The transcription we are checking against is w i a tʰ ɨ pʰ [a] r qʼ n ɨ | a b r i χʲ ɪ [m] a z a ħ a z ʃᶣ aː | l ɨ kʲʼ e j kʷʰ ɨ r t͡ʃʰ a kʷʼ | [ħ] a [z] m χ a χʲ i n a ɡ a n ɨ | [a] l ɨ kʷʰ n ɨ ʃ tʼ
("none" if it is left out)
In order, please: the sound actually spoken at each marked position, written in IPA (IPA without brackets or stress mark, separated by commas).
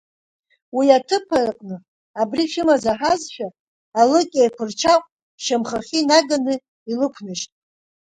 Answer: a, m, ʃ, none, i